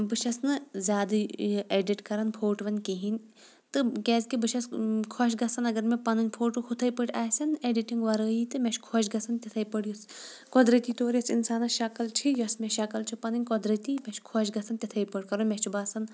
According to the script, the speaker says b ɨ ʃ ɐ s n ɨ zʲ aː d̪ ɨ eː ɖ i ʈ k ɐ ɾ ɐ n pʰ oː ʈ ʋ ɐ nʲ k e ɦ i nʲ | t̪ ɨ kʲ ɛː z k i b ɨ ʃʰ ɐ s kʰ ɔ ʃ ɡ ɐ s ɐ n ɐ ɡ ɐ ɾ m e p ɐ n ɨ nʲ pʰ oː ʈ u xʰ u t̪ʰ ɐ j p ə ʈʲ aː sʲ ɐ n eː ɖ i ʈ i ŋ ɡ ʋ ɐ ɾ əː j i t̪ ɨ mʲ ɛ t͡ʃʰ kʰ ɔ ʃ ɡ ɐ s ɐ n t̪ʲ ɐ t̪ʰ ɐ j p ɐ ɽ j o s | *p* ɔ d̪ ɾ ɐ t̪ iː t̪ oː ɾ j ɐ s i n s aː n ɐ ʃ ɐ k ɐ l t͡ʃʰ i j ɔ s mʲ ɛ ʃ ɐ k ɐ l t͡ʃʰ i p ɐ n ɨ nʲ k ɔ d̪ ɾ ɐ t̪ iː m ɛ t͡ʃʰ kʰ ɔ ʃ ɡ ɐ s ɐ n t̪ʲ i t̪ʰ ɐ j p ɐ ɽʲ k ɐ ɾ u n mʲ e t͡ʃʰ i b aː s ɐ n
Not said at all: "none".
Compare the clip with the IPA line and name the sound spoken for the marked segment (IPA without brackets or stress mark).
k